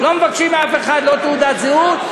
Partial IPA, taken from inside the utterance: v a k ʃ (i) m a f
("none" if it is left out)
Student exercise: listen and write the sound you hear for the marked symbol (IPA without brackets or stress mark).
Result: i